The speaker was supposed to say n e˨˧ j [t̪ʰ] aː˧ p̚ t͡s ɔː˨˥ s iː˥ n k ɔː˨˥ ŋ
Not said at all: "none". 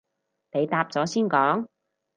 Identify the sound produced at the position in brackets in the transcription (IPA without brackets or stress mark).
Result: t̪